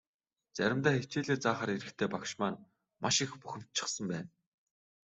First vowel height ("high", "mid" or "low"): low